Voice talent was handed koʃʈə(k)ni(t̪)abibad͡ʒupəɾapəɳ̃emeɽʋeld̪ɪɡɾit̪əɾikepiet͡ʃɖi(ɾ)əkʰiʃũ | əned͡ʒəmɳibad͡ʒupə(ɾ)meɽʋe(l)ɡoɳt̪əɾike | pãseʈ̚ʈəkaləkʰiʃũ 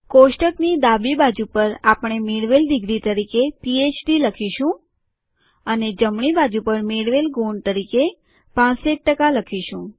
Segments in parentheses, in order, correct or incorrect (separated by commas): correct, incorrect, incorrect, correct, correct